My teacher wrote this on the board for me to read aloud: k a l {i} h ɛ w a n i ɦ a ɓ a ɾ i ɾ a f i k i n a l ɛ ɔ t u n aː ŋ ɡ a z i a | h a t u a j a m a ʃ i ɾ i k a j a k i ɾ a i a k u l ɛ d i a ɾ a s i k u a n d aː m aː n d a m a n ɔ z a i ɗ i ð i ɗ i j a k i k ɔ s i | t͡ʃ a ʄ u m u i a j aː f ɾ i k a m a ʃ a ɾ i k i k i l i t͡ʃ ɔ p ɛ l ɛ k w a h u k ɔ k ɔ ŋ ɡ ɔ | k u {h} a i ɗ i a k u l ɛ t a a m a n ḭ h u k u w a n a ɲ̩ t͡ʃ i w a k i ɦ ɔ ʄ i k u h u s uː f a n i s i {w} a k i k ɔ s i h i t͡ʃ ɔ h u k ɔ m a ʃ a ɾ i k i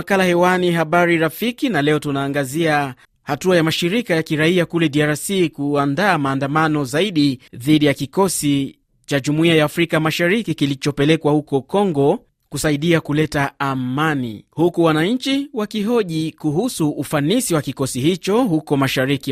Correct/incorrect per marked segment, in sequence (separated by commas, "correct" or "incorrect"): incorrect, incorrect, correct